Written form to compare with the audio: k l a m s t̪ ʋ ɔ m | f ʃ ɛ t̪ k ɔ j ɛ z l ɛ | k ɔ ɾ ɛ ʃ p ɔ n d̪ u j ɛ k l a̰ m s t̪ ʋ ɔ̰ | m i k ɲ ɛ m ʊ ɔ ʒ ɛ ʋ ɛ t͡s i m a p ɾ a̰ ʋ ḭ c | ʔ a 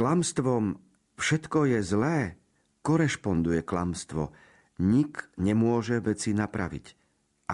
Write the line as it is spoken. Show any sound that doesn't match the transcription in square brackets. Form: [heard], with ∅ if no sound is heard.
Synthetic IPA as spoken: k l a m s t̪ ʋ ɔ m | f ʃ ɛ t̪ k ɔ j ɛ z l [ɛː] | k ɔ ɾ ɛ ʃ p ɔ n d̪ u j ɛ k l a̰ m s t̪ ʋ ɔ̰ | [ɲ] i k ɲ ɛ m ʊ ɔ ʒ ɛ ʋ ɛ t͡s i [n] a p ɾ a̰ ʋ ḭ c | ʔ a